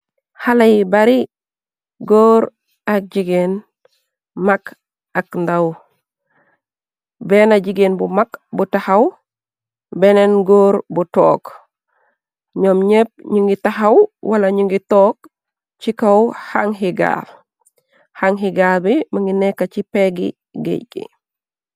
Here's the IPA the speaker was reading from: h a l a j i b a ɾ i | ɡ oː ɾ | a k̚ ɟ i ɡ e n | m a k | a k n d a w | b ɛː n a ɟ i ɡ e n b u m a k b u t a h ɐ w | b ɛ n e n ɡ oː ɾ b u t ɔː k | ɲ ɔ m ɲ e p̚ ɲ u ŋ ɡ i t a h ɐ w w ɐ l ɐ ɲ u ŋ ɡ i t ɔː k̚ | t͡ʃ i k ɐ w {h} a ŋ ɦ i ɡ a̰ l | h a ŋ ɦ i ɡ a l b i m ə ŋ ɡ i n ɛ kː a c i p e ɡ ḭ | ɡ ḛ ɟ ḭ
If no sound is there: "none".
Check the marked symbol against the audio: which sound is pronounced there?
h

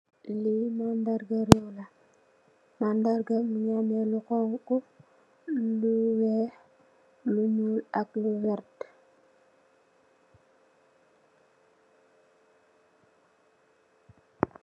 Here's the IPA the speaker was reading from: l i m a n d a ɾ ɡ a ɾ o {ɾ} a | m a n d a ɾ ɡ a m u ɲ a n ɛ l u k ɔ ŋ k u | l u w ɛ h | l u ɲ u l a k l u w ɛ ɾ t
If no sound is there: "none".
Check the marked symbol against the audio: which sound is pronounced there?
l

